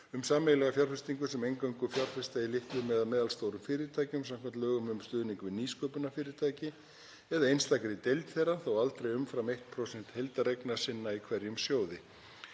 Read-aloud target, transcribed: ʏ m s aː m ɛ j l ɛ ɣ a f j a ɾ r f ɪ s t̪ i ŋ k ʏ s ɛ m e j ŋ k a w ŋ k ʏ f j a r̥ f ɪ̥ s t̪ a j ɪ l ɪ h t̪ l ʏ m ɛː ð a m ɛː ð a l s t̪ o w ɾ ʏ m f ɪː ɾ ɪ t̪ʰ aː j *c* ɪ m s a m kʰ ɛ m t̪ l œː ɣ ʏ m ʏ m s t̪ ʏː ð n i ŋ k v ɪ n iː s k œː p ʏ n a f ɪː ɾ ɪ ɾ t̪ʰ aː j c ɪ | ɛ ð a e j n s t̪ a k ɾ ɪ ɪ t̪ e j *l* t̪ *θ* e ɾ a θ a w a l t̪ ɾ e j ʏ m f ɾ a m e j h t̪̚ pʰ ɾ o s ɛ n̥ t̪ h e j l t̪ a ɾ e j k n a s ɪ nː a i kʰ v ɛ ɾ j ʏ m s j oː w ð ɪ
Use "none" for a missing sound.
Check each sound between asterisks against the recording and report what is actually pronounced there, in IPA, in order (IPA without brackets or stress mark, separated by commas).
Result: c, l, θ